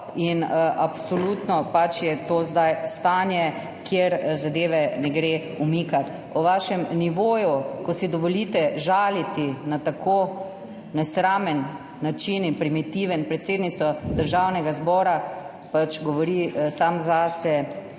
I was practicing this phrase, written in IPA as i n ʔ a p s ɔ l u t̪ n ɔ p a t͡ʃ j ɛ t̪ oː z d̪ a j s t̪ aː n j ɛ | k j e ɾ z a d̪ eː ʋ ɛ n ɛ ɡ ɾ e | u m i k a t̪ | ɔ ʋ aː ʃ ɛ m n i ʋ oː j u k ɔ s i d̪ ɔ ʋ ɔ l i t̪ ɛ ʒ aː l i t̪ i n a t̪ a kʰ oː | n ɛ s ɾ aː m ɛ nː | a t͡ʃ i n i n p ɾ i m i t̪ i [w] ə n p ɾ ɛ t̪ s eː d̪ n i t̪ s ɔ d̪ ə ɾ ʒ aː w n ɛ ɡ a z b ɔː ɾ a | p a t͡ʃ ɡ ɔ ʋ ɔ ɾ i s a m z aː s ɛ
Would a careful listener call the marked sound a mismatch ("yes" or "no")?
yes